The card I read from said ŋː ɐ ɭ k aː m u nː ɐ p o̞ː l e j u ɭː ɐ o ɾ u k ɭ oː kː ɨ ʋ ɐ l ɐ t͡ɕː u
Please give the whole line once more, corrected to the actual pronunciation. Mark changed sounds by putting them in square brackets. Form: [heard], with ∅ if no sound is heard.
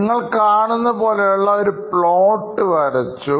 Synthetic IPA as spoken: ŋː ɐ ɭ k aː [ɳ] u nː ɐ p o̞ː l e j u ɭː ɐ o ɾ u [p] ɭ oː [ʈː] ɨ ʋ ɐ [ɾ] ɐ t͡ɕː u